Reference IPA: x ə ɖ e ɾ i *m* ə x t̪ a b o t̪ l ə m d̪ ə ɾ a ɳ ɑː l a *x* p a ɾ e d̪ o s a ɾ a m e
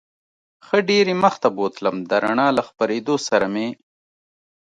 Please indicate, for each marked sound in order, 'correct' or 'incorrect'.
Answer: correct, correct

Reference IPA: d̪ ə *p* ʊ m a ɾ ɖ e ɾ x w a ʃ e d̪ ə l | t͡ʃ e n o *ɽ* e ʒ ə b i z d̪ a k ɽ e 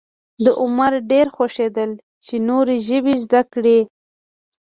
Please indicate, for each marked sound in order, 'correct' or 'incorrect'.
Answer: incorrect: ʔ, incorrect: ɾ

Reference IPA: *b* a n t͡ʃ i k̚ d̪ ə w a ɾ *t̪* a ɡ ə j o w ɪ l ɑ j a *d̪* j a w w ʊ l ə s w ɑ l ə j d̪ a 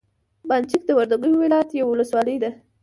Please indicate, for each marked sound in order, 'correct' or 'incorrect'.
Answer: correct, incorrect: d̪, incorrect: t̪

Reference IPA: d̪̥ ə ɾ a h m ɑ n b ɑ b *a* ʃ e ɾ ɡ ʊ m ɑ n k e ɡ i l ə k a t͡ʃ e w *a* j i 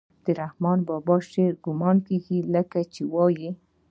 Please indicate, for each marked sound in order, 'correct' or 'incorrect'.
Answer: incorrect: ɑ, incorrect: ɑ

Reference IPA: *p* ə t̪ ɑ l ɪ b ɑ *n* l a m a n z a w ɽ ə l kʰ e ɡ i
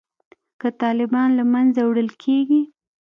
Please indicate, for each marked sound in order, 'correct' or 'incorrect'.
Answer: incorrect: k, correct

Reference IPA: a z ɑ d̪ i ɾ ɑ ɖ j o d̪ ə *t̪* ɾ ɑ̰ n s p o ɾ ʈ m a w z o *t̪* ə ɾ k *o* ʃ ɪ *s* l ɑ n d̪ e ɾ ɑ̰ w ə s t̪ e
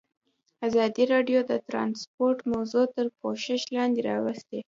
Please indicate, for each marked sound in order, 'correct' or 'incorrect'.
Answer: correct, correct, correct, incorrect: ʃ

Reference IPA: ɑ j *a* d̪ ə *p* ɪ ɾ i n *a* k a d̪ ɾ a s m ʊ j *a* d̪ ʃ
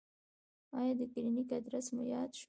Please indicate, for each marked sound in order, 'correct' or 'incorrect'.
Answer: incorrect: ɑ, incorrect: k, incorrect: i, incorrect: ɑ

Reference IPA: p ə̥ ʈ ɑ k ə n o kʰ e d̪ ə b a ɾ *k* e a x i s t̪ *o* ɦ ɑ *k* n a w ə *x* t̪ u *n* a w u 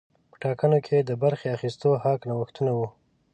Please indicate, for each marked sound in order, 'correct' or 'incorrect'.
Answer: incorrect: x, correct, correct, correct, correct

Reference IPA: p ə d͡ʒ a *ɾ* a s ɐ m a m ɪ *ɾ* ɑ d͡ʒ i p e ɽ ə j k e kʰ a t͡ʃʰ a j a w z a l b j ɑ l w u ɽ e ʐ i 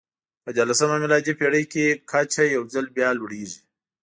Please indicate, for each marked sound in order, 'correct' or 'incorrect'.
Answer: incorrect: l, incorrect: l

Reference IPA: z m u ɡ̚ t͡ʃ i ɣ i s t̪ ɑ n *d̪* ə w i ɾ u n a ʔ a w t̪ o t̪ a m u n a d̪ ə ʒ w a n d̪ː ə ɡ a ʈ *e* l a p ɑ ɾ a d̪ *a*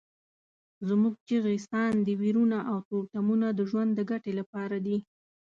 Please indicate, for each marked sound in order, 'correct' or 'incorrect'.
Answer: correct, correct, incorrect: i

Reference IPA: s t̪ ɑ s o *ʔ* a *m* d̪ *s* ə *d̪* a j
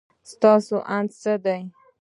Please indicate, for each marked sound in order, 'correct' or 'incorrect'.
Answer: correct, incorrect: n, correct, correct

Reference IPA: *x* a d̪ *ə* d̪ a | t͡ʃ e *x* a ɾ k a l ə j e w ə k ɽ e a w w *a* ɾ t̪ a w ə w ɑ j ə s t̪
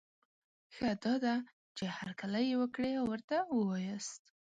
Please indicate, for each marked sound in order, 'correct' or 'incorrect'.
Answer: correct, incorrect: ɑ, incorrect: h, incorrect: ə

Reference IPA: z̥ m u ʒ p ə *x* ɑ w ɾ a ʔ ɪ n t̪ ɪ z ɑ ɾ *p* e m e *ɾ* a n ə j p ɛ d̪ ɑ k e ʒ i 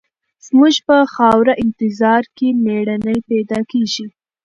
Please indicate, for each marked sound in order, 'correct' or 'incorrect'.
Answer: correct, incorrect: k, incorrect: ɽ

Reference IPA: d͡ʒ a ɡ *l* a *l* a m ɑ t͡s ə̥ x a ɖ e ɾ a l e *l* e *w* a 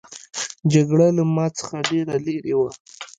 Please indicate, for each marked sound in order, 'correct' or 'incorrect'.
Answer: incorrect: ɽ, correct, incorrect: ɾ, correct

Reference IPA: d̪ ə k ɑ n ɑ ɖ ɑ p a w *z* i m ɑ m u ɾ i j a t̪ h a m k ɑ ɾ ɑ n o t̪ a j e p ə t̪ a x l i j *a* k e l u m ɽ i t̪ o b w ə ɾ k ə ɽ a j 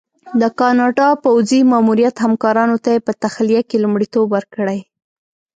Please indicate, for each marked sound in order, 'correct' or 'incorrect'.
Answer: correct, correct

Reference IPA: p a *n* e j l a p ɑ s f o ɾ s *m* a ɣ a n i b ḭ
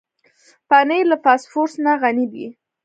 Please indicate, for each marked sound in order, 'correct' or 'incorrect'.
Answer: correct, incorrect: n

